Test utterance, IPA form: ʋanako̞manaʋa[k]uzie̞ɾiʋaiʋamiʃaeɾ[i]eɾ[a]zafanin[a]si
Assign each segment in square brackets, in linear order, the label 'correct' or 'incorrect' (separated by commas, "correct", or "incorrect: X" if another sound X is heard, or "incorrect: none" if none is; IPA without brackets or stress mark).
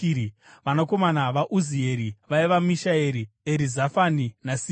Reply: incorrect: ʔ, correct, incorrect: i, correct